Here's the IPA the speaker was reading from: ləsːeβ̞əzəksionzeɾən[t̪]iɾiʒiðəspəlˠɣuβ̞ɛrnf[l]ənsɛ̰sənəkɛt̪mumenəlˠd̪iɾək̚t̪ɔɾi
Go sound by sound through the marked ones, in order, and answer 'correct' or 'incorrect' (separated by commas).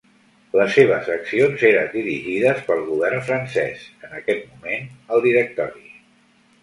incorrect, incorrect